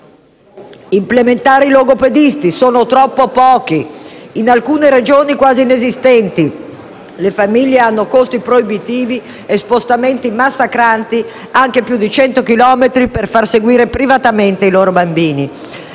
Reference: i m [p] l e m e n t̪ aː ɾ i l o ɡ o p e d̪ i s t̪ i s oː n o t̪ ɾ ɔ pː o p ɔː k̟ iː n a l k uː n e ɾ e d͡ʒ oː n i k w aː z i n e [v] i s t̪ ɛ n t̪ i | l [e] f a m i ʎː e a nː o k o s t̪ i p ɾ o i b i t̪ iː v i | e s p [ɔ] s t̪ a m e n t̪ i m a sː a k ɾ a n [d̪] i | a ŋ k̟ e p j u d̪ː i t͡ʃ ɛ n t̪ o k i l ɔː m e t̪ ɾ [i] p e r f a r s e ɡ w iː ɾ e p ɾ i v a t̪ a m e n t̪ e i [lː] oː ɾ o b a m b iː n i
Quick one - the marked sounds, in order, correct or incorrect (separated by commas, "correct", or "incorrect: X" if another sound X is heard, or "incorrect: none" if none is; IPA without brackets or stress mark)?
correct, incorrect: z, correct, incorrect: o, incorrect: t̪, correct, incorrect: l